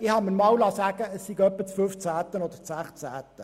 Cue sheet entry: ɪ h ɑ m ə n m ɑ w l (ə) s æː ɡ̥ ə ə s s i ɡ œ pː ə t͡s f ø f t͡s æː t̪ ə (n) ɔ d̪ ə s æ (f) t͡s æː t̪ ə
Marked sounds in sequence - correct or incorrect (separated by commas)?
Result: incorrect, correct, incorrect